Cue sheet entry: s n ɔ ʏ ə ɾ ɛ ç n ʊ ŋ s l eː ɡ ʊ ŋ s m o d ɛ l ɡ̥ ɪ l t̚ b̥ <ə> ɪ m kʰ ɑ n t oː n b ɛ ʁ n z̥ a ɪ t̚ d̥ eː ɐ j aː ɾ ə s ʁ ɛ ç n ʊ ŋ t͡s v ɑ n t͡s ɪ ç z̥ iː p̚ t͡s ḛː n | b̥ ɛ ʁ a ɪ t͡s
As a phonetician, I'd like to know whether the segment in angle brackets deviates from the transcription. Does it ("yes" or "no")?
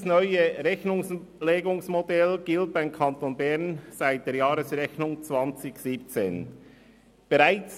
yes